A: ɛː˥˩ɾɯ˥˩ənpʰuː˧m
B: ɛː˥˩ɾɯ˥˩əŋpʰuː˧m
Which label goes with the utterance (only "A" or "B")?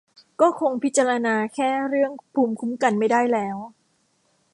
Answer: B